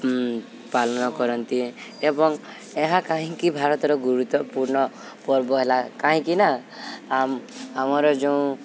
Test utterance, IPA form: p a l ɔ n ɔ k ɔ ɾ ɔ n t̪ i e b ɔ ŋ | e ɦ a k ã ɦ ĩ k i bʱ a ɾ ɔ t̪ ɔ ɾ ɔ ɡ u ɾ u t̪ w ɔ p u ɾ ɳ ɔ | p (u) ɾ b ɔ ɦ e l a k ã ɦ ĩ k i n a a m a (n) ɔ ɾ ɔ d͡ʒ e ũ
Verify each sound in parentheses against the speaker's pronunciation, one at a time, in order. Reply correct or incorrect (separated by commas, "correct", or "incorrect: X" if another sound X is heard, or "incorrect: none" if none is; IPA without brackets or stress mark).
incorrect: ɔ, incorrect: m